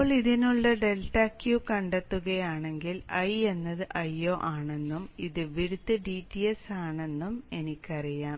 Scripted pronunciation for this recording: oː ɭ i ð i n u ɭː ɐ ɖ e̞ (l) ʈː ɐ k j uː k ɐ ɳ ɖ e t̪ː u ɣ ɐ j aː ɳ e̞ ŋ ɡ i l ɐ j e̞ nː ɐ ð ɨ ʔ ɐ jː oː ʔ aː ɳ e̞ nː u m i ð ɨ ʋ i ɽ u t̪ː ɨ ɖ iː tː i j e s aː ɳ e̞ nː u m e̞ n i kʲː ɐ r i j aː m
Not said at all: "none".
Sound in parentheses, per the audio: l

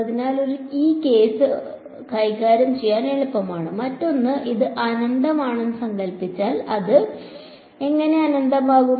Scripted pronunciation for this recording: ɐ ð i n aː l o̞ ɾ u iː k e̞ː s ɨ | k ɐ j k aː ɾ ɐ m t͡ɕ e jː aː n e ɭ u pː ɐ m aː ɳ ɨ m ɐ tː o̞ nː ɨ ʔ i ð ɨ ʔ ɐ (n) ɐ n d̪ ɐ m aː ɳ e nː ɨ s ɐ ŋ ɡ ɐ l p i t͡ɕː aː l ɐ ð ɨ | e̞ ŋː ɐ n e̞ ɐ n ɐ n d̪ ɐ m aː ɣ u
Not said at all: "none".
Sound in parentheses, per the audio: n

